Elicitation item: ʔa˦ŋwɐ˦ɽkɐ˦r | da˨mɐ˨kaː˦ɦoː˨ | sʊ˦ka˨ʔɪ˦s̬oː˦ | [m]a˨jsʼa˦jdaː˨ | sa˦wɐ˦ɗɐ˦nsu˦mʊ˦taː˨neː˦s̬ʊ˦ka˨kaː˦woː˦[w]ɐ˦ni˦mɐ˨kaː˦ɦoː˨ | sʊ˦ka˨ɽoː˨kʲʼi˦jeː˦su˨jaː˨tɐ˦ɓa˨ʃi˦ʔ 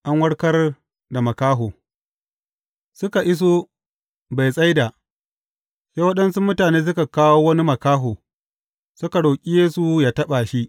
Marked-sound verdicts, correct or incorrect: incorrect, correct

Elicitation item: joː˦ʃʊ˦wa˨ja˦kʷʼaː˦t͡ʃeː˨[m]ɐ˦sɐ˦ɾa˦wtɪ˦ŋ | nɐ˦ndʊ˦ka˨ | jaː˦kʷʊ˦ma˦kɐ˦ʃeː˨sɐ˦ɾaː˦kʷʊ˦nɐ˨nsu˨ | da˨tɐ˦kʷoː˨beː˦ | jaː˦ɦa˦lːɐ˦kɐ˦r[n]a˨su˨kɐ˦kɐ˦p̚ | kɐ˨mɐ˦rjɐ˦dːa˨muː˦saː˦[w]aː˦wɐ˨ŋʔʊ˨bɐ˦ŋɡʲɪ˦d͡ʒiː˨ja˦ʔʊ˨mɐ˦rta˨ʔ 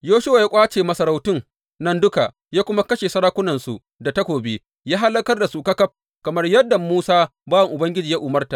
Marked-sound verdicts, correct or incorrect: correct, incorrect, incorrect

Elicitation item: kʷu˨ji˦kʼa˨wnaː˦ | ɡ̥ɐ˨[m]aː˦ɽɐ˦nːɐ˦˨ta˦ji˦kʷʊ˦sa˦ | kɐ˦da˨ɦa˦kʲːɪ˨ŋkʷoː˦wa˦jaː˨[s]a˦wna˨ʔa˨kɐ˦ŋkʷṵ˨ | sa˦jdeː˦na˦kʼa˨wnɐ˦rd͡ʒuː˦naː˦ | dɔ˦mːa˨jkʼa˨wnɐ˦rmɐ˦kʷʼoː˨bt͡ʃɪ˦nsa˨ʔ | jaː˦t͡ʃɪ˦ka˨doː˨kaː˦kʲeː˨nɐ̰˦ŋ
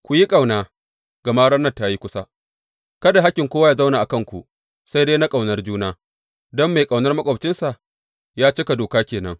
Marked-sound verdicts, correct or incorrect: correct, incorrect

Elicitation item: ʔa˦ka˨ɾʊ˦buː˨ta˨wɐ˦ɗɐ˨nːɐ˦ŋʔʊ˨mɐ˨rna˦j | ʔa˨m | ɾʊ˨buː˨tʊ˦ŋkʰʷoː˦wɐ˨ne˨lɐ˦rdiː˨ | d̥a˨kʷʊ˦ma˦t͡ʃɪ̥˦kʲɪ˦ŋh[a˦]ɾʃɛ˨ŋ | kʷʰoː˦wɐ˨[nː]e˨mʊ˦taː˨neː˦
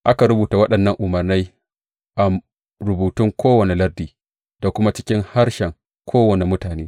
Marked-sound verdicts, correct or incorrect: correct, incorrect

